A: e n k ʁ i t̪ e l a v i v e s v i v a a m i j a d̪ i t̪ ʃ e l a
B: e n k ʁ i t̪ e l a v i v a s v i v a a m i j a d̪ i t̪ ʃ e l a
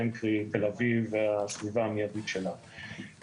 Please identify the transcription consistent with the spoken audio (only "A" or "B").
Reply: B